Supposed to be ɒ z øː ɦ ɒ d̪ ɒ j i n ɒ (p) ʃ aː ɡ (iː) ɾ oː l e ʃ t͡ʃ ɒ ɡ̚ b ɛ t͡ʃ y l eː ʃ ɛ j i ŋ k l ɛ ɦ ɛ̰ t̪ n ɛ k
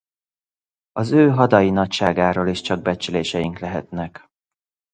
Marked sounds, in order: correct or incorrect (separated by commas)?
incorrect, incorrect